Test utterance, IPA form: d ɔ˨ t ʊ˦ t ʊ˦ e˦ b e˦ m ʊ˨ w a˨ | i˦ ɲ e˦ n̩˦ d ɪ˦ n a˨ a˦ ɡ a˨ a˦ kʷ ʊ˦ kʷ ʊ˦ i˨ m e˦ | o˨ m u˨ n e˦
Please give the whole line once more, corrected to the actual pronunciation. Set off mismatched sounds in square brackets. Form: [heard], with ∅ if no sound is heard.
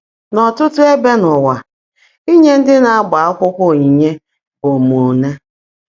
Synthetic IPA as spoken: [n] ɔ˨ t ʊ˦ t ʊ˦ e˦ b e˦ [n] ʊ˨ w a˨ | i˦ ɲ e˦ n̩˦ d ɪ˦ n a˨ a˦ [ɡ͡b] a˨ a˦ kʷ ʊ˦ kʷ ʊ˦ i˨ [ɲ] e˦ | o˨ m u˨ n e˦